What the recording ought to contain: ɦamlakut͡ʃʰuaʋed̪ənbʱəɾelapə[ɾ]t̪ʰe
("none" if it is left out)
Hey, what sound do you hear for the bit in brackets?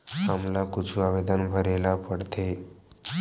ɽ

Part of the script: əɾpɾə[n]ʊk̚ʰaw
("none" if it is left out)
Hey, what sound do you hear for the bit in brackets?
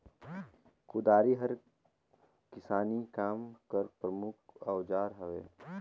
m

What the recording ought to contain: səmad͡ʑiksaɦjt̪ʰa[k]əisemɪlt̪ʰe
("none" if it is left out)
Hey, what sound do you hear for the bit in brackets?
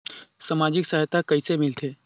k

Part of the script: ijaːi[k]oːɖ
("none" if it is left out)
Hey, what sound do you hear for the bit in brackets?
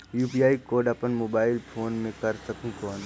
k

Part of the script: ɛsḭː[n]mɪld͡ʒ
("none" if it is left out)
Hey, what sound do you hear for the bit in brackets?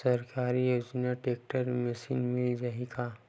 n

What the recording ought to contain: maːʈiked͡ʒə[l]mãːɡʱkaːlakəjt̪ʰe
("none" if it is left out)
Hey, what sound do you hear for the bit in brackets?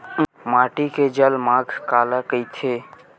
l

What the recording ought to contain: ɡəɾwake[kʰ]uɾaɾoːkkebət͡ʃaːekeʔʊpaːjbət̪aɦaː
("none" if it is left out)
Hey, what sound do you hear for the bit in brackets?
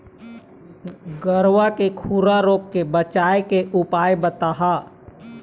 kʰ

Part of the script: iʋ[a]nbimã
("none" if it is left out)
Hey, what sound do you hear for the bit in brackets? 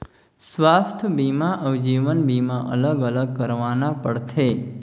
ə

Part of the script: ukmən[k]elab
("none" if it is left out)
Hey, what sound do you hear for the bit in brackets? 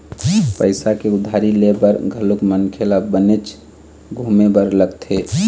kʰ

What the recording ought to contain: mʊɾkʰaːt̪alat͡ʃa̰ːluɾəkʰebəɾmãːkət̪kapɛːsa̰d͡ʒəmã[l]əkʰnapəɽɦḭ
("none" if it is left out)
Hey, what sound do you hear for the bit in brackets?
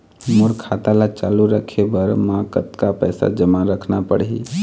ɾ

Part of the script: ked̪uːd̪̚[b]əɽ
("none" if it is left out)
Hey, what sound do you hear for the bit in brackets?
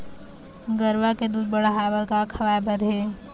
b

